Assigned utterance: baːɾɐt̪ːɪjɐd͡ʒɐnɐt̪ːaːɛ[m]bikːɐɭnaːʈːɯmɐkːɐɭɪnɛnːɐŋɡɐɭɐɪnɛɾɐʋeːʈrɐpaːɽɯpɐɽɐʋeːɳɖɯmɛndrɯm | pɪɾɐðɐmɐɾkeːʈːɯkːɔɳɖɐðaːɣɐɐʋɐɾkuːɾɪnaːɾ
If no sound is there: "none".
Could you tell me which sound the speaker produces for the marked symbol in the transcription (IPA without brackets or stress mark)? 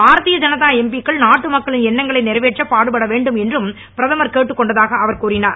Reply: m